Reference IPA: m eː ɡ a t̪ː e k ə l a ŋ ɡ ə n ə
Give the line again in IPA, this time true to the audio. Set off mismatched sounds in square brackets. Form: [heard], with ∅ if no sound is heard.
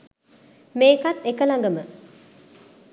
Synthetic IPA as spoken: m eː [k] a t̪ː e k ə l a ŋ ɡ ə [m] ə